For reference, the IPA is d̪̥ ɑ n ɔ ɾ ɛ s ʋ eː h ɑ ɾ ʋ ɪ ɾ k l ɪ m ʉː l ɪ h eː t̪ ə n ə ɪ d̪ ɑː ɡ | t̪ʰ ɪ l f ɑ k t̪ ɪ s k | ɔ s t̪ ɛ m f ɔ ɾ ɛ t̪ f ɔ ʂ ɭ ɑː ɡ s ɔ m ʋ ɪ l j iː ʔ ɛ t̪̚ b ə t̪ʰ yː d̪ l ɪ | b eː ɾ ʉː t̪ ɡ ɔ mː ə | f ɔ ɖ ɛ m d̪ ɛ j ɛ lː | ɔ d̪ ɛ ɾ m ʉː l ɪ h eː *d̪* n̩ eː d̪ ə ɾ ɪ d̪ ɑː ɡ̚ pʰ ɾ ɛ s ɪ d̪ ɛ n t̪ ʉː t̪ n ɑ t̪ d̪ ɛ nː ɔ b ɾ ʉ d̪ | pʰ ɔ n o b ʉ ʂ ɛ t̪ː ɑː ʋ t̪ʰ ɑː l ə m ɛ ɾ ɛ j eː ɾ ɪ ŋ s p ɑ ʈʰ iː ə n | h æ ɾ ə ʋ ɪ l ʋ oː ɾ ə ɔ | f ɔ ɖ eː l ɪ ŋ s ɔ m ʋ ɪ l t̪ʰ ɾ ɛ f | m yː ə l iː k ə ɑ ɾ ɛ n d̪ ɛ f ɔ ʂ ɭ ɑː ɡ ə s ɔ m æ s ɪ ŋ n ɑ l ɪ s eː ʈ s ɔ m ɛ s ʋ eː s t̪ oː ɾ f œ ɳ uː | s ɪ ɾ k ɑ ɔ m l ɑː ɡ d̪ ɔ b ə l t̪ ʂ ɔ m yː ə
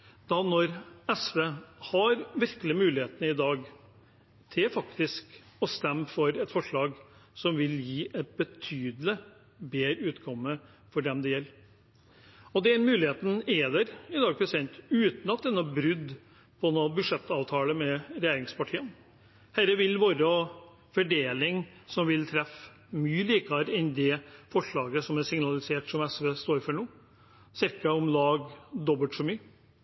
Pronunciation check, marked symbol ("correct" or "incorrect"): incorrect